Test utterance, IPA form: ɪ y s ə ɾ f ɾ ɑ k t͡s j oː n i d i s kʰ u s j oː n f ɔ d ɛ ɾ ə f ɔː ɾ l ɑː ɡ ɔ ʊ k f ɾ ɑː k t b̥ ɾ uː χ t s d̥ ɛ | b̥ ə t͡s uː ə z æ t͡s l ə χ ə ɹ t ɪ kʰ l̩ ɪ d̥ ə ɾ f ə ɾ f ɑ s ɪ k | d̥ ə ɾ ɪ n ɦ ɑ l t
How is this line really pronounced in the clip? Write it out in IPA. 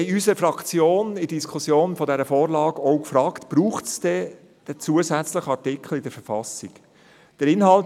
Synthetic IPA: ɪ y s ə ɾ f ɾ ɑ k t͡s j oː n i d i s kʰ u s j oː n f ɔ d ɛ ɾ ə f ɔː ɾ l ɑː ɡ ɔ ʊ k f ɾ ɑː k t b̥ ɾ uː χ t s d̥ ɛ | d̥ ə t͡s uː ə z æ t͡s l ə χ ɑ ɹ t ɪ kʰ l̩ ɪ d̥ ə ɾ f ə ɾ f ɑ s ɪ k | d̥ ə ɾ ɪ n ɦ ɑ l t